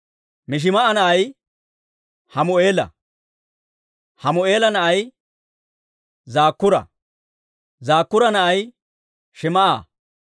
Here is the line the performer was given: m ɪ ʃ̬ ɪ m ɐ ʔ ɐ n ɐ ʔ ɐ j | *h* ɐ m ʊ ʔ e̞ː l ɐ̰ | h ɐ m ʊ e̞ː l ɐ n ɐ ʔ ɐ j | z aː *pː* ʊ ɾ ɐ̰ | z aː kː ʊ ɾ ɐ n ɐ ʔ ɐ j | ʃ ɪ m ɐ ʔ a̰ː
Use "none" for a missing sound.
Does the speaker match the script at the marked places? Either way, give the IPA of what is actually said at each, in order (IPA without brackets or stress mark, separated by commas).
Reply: h, kː